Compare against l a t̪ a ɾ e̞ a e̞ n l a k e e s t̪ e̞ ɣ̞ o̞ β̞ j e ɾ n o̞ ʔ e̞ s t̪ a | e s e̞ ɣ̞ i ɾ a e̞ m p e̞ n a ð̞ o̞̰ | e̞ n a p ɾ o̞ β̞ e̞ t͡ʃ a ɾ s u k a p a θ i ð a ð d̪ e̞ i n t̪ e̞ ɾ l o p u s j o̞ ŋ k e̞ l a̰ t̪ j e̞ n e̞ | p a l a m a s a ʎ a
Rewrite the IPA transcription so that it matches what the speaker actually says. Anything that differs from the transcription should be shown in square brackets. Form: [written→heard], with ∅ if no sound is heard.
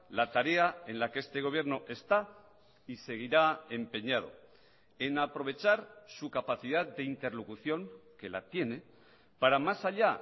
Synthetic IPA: l a t̪ a ɾ e̞ a e̞ n l a k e e s t̪ e̞ ɣ̞ o̞ β̞ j e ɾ n o̞ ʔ e̞ s t̪ a | [e→i] s e̞ ɣ̞ i ɾ a e̞ m p e̞ [n→ɲ] a ð̞ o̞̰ | e̞ n a p ɾ o̞ β̞ e̞ t͡ʃ a ɾ s u k a p a θ i ð a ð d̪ e̞ i n t̪ e̞ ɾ l o [p→k] u [s→θ] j o̞ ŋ k e̞ l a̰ t̪ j e̞ n e̞ | p a [l→ɾ] a m a s a ʎ a

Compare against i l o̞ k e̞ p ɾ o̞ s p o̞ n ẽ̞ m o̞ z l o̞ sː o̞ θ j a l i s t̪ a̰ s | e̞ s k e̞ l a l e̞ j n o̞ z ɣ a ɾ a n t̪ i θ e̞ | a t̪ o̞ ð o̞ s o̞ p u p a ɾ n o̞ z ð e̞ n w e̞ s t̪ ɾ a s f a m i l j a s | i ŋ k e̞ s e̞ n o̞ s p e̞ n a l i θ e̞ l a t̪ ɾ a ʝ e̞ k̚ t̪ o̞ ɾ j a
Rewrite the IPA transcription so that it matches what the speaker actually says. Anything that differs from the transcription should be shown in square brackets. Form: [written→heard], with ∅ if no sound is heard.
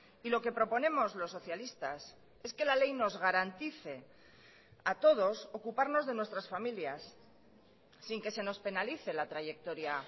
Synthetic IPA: i l o̞ k e̞ p ɾ o̞ [s→∅] p o̞ n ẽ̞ m o̞ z l o̞ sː o̞ θ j a l i s t̪ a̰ s | e̞ s k e̞ l a l e̞ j n o̞ z ɣ a ɾ a n t̪ i θ e̞ | a t̪ o̞ ð o̞ s o̞ [p→k] u p a ɾ n o̞ z ð e̞ n w e̞ s t̪ ɾ a s f a m i l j a s | i ŋ k e̞ s e̞ n o̞ s p e̞ n a l i θ e̞ l a t̪ ɾ a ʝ e̞ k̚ t̪ o̞ ɾ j a

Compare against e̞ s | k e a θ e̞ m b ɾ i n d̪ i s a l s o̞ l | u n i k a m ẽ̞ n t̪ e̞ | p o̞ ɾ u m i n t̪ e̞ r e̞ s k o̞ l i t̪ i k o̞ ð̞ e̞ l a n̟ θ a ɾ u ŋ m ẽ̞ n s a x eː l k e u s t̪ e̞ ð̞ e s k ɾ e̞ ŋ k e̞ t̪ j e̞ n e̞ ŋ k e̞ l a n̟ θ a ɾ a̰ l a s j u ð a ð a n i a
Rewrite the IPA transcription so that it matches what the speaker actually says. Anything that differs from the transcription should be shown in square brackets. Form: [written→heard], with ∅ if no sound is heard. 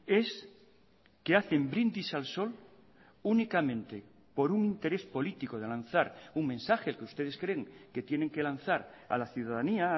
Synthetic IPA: e̞ s | k e a θ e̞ m b ɾ i n d̪ i s a l s o̞ l | u n i k a m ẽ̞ n t̪ e̞ | p o̞ ɾ u [m→ŋ] i n t̪ e̞ [r→ɾ] e̞ s [k→p] o̞ l i t̪ i k o̞ ð̞ e̞ l a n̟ θ a ɾ u ŋ m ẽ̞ n s a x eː l k e u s t̪ e̞ ð̞ e s k ɾ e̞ ŋ k e̞ t̪ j e̞ n e̞ ŋ k e̞ l a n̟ θ a ɾ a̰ l a [s→θ] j u ð a ð a n i a

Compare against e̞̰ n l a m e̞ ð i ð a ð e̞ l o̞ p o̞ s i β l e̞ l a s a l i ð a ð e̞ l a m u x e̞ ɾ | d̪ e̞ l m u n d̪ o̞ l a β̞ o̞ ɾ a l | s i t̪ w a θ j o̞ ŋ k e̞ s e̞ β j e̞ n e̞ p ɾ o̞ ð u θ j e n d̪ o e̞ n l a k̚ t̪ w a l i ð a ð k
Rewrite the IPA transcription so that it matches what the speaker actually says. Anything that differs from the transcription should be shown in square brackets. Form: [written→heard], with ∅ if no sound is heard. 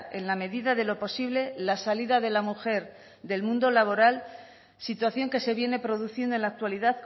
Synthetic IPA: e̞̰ n l a m e̞ ð i ð a ð e̞ l o̞ p o̞ s i β l e̞ l a s a l i ð a ð e̞ l a m u x e̞ ɾ | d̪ e̞ l m [u→ũ] n d̪ o̞ l a β̞ o̞ ɾ a l | s i t̪ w a θ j o̞ ŋ k e̞ s e̞ β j e̞ n e̞ p ɾ o̞ ð u θ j e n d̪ o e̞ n l a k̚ t̪ w a l i ð a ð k

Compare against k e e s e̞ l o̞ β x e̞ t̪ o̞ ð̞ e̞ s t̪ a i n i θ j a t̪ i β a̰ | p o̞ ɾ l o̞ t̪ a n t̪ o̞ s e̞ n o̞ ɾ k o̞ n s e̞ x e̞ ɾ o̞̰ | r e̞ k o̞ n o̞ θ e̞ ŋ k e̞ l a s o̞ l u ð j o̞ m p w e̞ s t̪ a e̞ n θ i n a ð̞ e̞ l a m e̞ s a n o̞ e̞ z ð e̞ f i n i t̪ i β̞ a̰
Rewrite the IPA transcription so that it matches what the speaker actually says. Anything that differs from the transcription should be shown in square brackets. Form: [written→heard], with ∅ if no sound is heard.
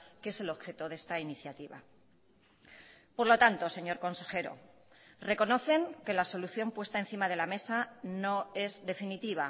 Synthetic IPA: k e e s e̞ l o̞ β x e̞ t̪ o̞ ð̞ e̞ s t̪ a i n i θ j a t̪ i β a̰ | p o̞ ɾ l o̞ t̪ a n t̪ o̞ s e̞ [n→ɲ] o̞ ɾ k o̞ n s e̞ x e̞ ɾ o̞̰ | r e̞ k o̞ n o̞ θ e̞ ŋ k e̞ l a s o̞ l u [ð→θ] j o̞ m p w e̞ s t̪ a e̞ n θ i [n→m] a ð̞ e̞ l a m e̞ s a n o̞ e̞ z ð e̞ f i n i t̪ i β̞ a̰

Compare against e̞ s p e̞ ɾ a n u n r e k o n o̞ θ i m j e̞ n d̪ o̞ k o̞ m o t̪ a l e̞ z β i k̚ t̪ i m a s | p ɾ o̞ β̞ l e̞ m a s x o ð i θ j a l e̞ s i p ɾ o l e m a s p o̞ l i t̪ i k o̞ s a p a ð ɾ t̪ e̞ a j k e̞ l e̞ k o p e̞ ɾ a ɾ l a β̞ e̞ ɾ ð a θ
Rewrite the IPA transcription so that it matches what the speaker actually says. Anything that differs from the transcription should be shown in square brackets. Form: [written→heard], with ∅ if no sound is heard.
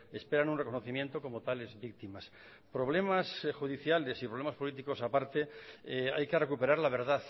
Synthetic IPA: e̞ s p e̞ ɾ a n u n r e k o n o̞ θ i m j e̞ n [d̪→t̪] o̞ k o̞ m o t̪ a l e̞ z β i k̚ t̪ i m a s | p ɾ o̞ β̞ l e̞ m a s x [o→u] ð i θ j a l e̞ s i p ɾ o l e m a s p o̞ l i t̪ i k o̞ s a p a [ð→∅] ɾ t̪ e̞ a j k e̞ [l→r] e̞ k [o→u] p e̞ ɾ a ɾ l a β̞ e̞ ɾ ð a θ

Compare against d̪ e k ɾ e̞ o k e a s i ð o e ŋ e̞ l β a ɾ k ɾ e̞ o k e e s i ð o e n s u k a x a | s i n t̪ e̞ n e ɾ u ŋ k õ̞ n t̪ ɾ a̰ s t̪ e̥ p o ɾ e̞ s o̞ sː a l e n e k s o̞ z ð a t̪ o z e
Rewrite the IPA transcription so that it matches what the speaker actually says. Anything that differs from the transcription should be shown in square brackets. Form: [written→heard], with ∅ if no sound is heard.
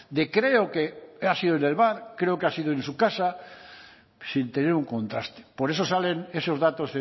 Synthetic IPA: d̪ e k ɾ e̞ o k e a s i ð o e [ŋ→n] e̞ l β a ɾ k ɾ e̞ o k e [e→a] s i ð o e n s u k a [x→s] a | s i n t̪ e̞ n e ɾ u ŋ k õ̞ n t̪ ɾ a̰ s t̪ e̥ p o ɾ e̞ s o̞ [sː→s] a l e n e [k→∅] s o̞ z ð a t̪ o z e

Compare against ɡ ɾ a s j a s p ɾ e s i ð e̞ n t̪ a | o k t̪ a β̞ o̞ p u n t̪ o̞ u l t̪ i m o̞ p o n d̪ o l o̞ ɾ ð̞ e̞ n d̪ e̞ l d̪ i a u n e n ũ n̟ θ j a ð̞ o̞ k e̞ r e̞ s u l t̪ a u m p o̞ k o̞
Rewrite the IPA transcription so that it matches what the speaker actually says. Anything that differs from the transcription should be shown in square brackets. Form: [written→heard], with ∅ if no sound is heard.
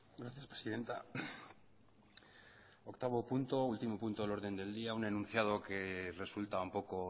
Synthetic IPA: ɡ ɾ a [s→θ] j a s p ɾ e s i ð e̞ n t̪ a | o k t̪ a β̞ o̞ p u n t̪ o̞ u l t̪ i m o̞ p [o→u] n [d̪→t̪] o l o̞ ɾ ð̞ e̞ n d̪ e̞ l d̪ i a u n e n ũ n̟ θ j a ð̞ o̞ k e̞ r e̞ s u l t̪ a u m p o̞ k o̞

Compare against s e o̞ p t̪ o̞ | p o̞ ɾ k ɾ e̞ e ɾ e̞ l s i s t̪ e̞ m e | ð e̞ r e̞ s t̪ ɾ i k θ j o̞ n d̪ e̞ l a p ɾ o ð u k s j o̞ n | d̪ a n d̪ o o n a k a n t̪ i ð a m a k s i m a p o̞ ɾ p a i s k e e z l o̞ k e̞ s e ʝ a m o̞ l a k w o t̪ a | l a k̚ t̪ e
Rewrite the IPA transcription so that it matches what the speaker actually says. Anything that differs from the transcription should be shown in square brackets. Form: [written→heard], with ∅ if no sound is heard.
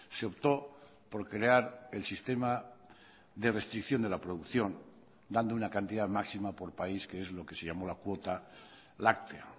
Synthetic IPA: s e o̞ p t̪ o̞ | p o̞ ɾ k ɾ e̞ [e→a] ɾ e̞ l s i s t̪ e̞ m [e→a] | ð e̞ r e̞ s t̪ ɾ i k θ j o̞ n d̪ e̞ l a p ɾ o ð u k [s→θ] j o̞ n | d̪ a n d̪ o [o→u] n a k a n t̪ i ð a m a k s i m a p o̞ ɾ p a i s k e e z l o̞ k e̞ s e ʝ a m o̞ l a k w o t̪ a | l a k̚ t̪ e

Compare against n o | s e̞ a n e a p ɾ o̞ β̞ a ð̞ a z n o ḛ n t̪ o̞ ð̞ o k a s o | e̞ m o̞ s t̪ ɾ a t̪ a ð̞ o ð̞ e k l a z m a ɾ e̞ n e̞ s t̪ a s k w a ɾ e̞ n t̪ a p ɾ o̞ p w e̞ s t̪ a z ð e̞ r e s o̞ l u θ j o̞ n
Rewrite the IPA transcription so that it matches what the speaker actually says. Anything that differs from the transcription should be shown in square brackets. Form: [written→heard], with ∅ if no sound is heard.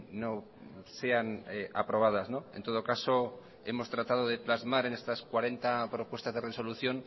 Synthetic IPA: n o | s e̞ a n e a p ɾ o̞ β̞ a ð̞ a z n o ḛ n t̪ o̞ ð̞ o k a s o | e̞ m o̞ s t̪ ɾ a t̪ a ð̞ o ð̞ e [k→p] l a z m a ɾ e̞ n e̞ s t̪ a s k w a ɾ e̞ n t̪ a p ɾ o̞ p w e̞ s t̪ a z ð e̞ r e s o̞ l u θ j o̞ n

